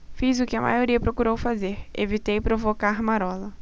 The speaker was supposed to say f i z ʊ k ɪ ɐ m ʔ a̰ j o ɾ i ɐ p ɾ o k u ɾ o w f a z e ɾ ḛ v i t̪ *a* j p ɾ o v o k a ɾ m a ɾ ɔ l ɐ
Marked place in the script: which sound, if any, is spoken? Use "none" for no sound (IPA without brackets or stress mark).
e